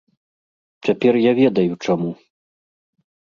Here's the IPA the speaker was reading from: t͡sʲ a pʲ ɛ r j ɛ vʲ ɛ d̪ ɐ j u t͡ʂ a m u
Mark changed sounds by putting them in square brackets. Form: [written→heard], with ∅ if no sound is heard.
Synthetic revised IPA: t͡sʲ a pʲ ɛ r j [ɛ→a] vʲ ɛ d̪ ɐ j u t͡ʂ a m u